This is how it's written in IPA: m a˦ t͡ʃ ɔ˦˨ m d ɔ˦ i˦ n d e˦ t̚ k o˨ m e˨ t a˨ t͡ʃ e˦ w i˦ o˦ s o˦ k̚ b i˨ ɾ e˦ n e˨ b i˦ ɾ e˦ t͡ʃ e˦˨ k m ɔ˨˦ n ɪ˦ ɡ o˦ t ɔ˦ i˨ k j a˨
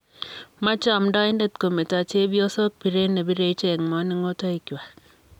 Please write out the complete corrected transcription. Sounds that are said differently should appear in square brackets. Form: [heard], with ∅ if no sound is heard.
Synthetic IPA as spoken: m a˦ t͡ʃ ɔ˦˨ m d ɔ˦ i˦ n d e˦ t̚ k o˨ m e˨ t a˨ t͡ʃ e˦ [b] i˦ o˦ s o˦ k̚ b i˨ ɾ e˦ n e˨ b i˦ ɾ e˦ t͡ʃ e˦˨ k m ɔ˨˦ n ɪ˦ [ŋ] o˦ t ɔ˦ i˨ k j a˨